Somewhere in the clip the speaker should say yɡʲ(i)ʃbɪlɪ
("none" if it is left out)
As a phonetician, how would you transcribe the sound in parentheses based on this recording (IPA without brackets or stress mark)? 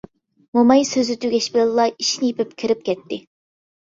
ɛ